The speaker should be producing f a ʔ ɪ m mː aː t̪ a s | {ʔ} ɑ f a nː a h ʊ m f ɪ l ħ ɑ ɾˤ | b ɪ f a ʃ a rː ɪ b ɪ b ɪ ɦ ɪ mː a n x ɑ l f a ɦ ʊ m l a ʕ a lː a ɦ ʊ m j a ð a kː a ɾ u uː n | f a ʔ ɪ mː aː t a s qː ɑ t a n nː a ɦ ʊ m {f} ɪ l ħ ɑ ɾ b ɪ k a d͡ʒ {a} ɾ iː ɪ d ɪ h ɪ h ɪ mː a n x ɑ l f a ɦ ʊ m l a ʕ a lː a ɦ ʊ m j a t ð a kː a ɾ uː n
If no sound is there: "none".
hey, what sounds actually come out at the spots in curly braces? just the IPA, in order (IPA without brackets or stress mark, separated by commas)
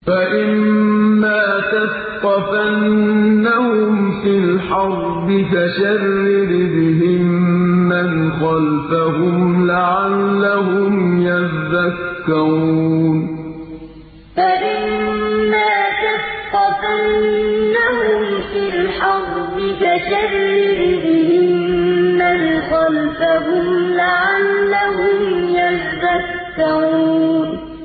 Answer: q, f, a